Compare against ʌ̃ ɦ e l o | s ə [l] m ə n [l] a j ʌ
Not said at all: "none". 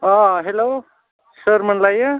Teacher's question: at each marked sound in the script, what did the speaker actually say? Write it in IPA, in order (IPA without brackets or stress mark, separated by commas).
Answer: ɾ, l